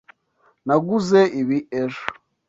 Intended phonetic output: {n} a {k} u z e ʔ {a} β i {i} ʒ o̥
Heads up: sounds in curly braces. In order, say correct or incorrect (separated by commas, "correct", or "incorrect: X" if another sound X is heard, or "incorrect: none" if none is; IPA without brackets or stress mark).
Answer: correct, incorrect: ɡ, incorrect: i, incorrect: e